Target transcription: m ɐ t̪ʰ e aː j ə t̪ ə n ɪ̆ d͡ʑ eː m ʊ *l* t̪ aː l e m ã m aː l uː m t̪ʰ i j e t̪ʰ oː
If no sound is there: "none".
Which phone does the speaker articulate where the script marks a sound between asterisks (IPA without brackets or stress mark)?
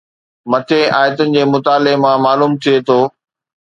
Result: none